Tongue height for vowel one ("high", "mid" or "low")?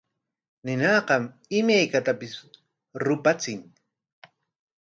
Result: high